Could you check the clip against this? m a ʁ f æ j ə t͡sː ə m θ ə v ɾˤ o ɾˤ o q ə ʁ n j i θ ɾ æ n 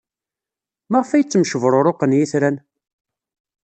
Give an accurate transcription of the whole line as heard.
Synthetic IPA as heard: m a ʁ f æ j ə t͡sː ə m ʃ ə v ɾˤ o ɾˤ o q ə n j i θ ɾ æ n